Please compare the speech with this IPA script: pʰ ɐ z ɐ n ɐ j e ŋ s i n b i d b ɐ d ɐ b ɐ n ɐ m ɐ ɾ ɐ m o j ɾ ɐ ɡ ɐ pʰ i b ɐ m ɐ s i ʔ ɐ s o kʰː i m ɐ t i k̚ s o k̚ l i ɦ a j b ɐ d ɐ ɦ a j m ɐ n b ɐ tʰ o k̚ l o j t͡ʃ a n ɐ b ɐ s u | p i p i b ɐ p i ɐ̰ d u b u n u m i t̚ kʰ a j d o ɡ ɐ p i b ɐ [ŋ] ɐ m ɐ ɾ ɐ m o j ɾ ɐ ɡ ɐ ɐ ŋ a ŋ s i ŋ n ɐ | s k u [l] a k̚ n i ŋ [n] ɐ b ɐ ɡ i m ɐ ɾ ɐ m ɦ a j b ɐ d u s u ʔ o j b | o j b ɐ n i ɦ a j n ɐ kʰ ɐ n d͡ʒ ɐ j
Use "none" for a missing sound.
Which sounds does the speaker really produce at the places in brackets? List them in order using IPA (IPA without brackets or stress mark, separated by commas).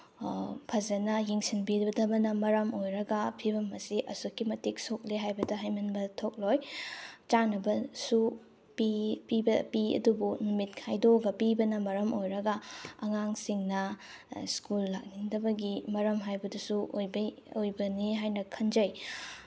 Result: n, lː, d